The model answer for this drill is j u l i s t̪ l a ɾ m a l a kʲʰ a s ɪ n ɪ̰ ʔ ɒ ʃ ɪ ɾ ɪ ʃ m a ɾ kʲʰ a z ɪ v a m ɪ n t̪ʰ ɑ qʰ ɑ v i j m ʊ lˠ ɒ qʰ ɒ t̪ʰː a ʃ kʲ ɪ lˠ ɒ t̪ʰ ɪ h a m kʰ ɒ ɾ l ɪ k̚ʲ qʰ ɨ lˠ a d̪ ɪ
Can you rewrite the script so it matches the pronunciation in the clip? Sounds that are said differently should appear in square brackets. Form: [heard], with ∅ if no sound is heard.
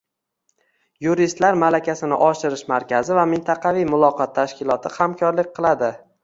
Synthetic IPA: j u [ɾ] i s t̪ l a ɾ m a l a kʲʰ a s ɪ n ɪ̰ ʔ ɒ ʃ ɪ ɾ ɪ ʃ m a ɾ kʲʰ a z ɪ v a m ɪ n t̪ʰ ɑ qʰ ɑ v i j m ʊ lˠ ɒ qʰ ɒ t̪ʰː a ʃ kʲ ɪ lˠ ɒ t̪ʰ ɪ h a m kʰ ɒ ɾ l ɪ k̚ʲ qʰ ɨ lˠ a d̪ ɪ